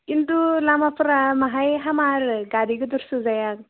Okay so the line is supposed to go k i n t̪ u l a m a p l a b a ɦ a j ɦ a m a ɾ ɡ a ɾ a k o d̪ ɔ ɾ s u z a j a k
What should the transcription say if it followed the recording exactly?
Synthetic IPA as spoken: k i n t̪ u l a m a p ɾ a m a ɦ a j ɦ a m a ɾ ɡ a ɾ i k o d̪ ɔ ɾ s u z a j a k